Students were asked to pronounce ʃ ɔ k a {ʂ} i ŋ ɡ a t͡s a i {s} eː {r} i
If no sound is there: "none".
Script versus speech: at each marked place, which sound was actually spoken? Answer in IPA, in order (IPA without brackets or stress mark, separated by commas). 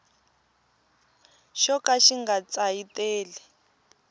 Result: ʃ, t, l